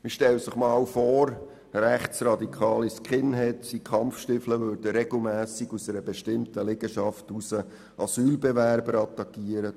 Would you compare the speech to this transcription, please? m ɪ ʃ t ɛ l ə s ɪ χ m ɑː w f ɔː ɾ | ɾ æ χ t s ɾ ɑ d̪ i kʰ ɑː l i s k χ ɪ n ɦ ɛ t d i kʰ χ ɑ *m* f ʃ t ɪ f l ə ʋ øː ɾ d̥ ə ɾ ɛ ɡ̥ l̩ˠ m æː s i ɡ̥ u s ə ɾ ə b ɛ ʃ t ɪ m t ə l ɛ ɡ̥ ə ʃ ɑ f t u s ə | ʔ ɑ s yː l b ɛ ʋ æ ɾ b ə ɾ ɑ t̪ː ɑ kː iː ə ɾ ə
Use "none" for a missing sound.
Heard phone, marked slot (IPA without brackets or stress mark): m